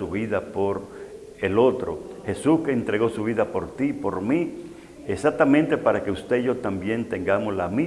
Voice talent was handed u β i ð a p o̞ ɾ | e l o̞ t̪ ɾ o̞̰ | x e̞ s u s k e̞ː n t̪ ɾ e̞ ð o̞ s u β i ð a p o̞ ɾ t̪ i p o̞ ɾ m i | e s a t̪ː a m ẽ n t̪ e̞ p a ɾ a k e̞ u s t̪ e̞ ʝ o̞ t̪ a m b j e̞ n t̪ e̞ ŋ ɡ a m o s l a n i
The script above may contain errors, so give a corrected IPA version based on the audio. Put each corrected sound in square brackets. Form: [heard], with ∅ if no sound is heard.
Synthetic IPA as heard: u β i ð a p o̞ ɾ | e l o̞ t̪ ɾ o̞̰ | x e̞ s u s k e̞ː n t̪ ɾ e̞ [ɣ] o̞ s u β i ð a p o̞ ɾ t̪ i p o̞ ɾ m i | e s a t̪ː a m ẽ n t̪ e̞ p a ɾ a k e̞ u s t̪ e̞ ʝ o̞ t̪ a m b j e̞ n t̪ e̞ ŋ ɡ a m o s l a [m] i